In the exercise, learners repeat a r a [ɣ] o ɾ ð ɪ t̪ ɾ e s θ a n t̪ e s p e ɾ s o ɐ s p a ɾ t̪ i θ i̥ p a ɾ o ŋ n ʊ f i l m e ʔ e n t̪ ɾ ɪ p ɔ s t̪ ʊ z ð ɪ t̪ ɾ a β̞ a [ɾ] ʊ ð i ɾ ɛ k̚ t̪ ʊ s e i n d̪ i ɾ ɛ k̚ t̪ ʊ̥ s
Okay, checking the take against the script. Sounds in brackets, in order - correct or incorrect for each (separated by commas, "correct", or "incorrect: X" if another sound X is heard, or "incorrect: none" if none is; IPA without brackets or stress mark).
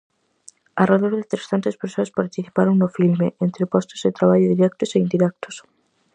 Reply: incorrect: ð, incorrect: ʎ